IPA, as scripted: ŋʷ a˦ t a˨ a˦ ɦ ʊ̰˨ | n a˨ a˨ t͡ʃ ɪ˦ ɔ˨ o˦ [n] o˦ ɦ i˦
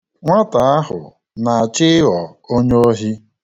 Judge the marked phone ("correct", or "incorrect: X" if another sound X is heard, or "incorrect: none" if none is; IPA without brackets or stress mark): incorrect: ɲ